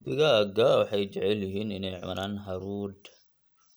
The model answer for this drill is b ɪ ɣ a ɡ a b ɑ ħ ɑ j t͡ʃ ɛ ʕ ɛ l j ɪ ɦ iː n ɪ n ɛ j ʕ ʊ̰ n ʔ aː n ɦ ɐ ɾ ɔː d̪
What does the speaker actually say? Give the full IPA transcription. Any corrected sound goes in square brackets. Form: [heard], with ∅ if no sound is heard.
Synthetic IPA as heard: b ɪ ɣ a ɡ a [w] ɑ ħ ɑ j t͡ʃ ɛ ʕ ɛ l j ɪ ɦ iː n ɪ n ɛ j ʕ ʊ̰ n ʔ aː n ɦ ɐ ɾ [uː] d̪